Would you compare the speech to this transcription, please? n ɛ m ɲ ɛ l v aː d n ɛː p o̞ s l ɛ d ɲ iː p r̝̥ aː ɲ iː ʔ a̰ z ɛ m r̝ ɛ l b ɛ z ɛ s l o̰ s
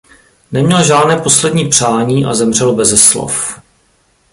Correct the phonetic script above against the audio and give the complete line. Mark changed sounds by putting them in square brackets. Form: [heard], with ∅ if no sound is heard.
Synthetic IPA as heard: n ɛ m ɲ ɛ l [ʒ] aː d n ɛː p o̞ s l ɛ d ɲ iː p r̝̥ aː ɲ iː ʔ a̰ z ɛ m r̝ ɛ l b ɛ z ɛ s l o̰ [f]

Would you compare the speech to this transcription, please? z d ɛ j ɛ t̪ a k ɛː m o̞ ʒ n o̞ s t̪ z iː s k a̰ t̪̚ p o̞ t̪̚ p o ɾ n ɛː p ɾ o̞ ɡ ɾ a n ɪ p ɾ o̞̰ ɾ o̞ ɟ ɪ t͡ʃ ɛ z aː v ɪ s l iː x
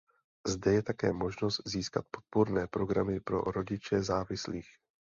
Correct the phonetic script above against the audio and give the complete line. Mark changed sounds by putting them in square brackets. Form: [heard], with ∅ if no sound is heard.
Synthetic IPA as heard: z d ɛ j ɛ t̪ a k ɛː m o̞ ʒ n o̞ s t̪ z iː s k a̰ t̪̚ p o̞ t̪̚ p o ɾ n ɛː p ɾ o̞ ɡ ɾ a [m] ɪ p ɾ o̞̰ ɾ o̞ ɟ ɪ t͡ʃ ɛ z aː v ɪ s l iː x

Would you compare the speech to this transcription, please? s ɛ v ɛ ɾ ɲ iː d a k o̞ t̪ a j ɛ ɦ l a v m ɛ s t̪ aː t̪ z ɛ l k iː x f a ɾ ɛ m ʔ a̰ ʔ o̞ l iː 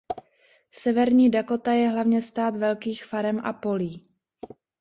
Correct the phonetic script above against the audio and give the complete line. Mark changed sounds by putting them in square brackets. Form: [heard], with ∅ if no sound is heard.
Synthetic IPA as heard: s ɛ v ɛ ɾ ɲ iː d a k o̞ t̪ a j ɛ ɦ l a v [ɲ] ɛ s t̪ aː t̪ [v] ɛ l k iː x f a ɾ ɛ m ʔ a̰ [p] o̞ l iː

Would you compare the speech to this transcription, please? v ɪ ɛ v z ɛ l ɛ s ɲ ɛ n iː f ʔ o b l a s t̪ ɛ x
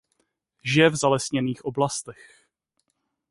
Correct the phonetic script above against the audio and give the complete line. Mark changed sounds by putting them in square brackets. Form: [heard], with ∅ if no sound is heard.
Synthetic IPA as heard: [ʒ] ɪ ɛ v z [a] l ɛ s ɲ ɛ n iː [x] ʔ o b l a s t̪ ɛ x

